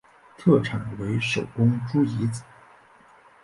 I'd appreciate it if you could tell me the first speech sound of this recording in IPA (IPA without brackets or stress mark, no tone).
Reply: t̪ʰ